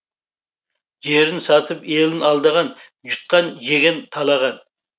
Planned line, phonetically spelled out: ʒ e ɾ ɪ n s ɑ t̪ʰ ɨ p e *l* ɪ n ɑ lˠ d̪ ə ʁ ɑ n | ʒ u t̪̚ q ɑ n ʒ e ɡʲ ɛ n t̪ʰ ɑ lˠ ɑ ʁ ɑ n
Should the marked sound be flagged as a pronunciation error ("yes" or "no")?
no